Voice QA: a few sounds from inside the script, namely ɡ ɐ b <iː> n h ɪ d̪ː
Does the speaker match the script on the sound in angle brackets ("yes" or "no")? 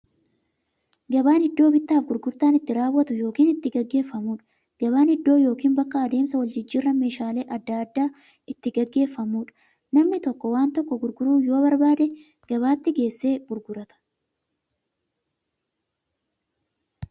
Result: no